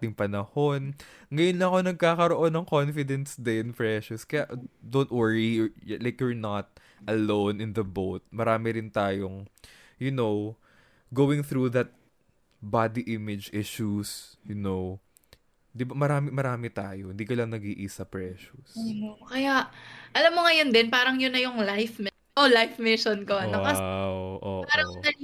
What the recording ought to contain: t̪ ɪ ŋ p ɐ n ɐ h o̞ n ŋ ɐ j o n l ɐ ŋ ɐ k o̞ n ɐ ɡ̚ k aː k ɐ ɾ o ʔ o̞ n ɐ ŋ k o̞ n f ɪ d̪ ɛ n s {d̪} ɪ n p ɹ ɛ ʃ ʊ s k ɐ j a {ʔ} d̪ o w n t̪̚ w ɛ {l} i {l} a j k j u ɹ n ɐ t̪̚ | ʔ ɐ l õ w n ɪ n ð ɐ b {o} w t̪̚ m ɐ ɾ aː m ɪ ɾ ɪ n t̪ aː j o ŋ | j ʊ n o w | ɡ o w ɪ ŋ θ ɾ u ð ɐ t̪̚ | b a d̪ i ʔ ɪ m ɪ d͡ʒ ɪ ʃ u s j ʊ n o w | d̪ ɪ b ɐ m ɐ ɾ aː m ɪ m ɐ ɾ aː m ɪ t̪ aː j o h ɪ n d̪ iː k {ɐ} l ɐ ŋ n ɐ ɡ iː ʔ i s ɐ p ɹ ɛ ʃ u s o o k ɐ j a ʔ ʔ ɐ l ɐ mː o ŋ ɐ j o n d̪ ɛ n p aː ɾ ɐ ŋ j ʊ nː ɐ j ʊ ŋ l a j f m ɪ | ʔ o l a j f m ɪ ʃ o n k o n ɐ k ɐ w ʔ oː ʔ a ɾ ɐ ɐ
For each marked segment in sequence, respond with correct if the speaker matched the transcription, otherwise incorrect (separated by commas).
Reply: correct, correct, incorrect, correct, correct, correct